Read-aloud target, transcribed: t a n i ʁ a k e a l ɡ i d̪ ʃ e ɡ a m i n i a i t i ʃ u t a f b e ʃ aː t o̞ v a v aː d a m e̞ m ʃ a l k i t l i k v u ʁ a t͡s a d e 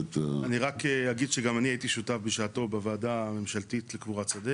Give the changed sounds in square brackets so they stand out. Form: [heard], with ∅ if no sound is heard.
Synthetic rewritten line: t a n i ʁ a k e a [∅] ɡ i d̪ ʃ e ɡ a m [a] n i a i t i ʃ u t a f b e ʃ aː t o̞ [b] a v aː d a m e̞ m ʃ a l [t] i t l [e] k v u ʁ a t͡s a d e